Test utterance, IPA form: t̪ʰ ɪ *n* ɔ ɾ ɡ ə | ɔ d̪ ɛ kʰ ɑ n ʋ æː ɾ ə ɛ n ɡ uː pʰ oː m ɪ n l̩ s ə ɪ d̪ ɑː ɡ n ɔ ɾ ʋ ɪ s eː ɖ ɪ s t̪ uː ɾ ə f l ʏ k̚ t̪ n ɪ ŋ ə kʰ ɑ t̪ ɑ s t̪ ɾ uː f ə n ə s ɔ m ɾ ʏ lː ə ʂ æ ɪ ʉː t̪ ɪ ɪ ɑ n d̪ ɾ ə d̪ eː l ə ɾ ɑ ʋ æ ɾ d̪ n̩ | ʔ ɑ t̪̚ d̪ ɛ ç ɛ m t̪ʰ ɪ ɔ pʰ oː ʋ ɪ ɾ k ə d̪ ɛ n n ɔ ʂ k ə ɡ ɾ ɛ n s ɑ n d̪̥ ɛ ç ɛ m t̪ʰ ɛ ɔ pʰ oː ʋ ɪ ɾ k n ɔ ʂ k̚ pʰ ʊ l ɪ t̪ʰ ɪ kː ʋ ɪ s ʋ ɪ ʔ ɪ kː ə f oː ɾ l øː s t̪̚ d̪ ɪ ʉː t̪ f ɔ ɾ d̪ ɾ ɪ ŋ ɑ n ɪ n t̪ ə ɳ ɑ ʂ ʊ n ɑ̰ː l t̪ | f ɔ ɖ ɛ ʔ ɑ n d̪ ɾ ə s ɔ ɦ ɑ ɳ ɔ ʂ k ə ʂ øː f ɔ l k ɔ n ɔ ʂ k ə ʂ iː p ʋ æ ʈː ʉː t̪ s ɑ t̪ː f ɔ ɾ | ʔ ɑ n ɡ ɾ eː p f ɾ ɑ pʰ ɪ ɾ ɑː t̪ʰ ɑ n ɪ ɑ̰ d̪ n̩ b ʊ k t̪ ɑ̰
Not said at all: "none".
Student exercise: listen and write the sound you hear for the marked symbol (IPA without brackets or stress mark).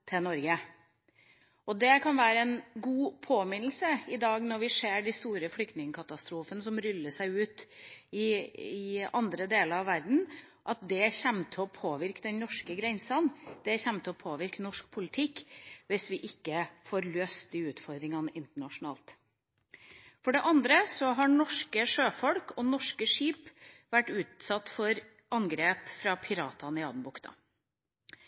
n